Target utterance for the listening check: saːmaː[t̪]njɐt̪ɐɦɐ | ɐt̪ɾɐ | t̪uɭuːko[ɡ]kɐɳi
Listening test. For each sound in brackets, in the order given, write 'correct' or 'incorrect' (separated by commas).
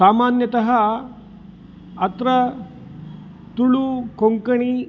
incorrect, incorrect